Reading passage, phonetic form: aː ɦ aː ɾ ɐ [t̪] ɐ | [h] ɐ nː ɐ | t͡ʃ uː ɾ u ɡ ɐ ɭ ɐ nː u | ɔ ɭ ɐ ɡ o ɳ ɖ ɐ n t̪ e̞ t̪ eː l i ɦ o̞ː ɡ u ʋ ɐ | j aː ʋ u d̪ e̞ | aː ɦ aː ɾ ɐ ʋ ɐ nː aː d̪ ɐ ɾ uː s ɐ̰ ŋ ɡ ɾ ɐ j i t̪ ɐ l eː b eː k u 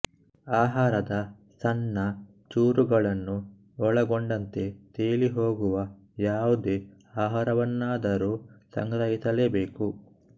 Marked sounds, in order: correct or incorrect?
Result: incorrect, incorrect

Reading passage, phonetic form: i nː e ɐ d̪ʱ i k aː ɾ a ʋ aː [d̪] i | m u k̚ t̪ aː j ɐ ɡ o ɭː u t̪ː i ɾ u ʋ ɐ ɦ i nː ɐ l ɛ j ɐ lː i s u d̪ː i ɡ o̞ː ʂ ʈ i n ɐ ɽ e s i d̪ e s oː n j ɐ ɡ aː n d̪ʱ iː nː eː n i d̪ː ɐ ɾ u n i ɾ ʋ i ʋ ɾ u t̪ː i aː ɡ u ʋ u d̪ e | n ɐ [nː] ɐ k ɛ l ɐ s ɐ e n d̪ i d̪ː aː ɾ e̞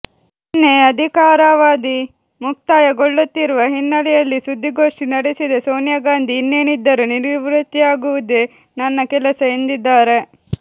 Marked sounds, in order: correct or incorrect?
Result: correct, correct

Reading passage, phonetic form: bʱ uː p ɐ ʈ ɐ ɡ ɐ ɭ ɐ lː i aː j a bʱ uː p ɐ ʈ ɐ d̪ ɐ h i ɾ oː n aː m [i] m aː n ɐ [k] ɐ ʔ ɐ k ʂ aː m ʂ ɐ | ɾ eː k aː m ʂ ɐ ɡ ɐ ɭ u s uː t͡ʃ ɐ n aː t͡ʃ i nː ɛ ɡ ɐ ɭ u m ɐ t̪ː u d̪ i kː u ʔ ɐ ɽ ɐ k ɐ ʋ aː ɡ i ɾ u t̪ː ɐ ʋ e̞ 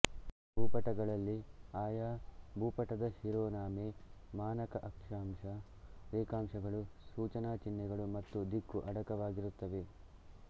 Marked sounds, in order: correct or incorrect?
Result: incorrect, correct

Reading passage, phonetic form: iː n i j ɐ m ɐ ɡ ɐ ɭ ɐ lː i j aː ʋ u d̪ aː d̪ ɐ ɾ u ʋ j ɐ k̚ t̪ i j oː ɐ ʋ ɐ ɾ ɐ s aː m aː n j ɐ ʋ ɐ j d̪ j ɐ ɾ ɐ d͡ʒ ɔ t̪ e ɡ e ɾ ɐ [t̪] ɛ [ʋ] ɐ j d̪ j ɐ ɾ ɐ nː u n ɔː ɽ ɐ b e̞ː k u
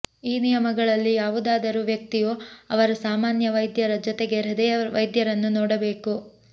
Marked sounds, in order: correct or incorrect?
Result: incorrect, correct

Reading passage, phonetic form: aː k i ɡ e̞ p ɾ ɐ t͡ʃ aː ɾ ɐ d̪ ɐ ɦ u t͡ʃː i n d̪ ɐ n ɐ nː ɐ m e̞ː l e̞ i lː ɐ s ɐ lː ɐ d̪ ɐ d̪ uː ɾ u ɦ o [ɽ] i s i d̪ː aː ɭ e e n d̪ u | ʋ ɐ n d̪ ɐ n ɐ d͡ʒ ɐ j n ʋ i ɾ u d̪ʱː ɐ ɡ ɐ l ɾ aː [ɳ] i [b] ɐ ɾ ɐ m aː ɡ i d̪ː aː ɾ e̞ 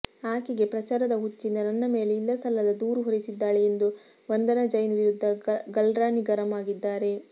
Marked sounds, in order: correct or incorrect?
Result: incorrect, incorrect, incorrect

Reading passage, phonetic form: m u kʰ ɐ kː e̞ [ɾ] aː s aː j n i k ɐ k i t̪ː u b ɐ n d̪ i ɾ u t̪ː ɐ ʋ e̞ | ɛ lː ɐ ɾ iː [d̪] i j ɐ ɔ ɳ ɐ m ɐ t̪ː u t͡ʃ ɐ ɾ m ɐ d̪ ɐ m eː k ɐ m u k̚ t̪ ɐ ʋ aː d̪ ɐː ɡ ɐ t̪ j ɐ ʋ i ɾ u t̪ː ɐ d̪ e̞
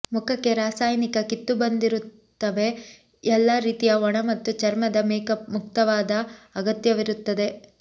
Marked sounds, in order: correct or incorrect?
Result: correct, incorrect

